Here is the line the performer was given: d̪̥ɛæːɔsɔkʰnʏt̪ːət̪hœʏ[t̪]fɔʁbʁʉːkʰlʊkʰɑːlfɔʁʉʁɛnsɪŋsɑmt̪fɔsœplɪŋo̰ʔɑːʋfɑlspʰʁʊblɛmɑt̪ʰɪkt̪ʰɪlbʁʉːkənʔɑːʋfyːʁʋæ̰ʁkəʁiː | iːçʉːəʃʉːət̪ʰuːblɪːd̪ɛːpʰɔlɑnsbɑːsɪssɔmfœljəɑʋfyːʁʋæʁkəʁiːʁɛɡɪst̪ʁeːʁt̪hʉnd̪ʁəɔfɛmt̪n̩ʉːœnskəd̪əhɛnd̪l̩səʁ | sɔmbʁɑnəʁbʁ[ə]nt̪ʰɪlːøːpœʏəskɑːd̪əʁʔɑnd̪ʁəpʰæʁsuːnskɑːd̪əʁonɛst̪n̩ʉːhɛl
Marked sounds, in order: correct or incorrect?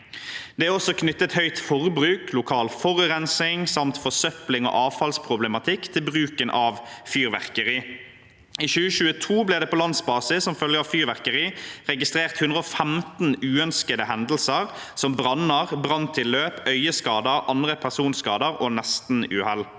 correct, incorrect: ɑ

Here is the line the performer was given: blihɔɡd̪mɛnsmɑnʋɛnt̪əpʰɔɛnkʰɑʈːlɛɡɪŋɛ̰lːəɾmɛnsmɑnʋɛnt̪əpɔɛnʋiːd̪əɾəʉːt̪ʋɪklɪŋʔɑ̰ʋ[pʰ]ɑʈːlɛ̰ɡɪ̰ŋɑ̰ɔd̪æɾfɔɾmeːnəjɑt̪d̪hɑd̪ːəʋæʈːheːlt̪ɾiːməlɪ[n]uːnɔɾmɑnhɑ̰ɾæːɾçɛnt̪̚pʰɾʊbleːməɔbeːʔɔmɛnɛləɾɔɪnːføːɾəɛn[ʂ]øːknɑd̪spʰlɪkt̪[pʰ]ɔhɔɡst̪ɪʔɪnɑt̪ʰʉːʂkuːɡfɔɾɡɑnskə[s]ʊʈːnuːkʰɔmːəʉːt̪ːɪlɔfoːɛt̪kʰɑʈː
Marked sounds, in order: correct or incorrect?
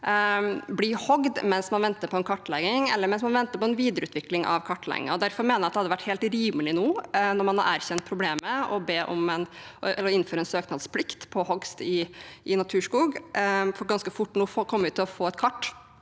incorrect: kʰ, correct, incorrect: s, correct, incorrect: f

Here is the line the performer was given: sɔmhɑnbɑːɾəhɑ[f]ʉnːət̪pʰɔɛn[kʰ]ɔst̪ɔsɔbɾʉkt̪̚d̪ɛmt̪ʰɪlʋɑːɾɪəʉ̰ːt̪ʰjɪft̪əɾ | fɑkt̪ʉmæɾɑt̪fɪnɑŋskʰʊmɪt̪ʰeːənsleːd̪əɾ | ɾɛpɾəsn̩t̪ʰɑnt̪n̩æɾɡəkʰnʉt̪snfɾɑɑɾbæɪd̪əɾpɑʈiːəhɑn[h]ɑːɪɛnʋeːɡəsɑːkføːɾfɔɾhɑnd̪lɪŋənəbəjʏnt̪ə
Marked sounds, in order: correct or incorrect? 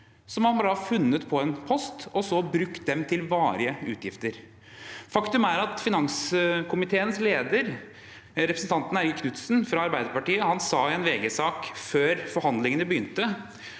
correct, incorrect: pʰ, incorrect: s

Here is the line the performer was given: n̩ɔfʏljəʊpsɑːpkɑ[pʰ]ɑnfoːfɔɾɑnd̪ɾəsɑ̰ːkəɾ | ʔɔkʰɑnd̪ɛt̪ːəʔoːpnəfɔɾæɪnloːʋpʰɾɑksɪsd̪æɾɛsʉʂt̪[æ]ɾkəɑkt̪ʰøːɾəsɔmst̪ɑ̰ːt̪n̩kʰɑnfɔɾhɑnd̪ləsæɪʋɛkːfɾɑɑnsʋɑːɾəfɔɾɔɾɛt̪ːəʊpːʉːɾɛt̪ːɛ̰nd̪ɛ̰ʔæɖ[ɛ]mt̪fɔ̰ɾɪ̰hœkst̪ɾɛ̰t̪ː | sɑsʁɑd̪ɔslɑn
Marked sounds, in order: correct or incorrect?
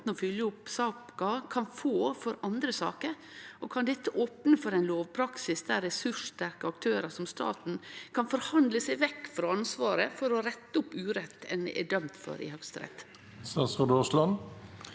incorrect: kʰ, correct, incorrect: œ

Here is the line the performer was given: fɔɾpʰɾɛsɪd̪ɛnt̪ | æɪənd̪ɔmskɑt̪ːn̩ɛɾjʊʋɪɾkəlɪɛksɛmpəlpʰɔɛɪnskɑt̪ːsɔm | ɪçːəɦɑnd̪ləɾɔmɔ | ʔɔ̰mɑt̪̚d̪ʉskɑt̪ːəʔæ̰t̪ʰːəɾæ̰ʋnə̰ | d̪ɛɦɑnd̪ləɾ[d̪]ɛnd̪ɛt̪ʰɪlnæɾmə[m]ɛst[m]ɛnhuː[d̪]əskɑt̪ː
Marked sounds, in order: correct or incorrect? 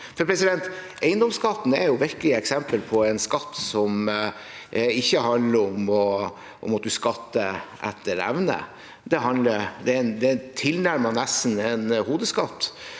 correct, incorrect: n, incorrect: n, correct

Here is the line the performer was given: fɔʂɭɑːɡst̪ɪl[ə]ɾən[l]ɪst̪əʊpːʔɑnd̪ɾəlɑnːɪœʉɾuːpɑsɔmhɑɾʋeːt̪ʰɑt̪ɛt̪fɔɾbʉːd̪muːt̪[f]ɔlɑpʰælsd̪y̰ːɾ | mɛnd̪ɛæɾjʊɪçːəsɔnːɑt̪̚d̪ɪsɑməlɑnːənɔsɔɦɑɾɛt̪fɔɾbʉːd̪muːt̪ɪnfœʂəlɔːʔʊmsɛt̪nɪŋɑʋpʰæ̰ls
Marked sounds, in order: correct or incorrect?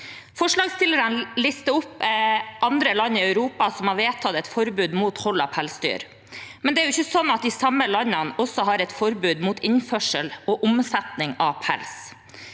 correct, correct, incorrect: h

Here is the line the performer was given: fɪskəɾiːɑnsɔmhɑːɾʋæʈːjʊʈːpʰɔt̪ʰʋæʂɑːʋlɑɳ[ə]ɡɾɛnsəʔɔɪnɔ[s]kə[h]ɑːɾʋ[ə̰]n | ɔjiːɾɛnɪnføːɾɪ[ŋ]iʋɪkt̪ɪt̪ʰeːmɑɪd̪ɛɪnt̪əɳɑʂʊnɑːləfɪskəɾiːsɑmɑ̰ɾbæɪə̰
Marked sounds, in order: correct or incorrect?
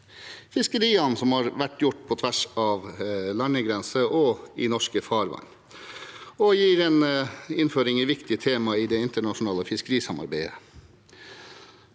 correct, incorrect: ʂ, incorrect: f, incorrect: ɑ̰, correct

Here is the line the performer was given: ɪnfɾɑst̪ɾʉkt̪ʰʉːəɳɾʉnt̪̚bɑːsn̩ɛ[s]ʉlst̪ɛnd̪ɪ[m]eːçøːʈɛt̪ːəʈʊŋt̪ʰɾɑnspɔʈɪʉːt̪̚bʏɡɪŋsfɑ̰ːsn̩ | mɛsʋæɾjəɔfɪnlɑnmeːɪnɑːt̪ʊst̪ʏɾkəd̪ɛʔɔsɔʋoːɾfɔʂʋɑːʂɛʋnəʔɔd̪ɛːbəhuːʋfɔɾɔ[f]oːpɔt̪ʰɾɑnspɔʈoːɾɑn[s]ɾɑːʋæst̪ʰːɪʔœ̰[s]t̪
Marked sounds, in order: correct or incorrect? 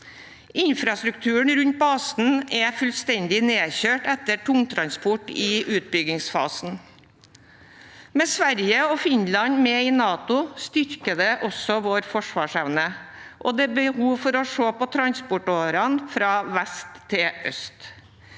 incorrect: f, incorrect: n, incorrect: ʂ, incorrect: f, correct

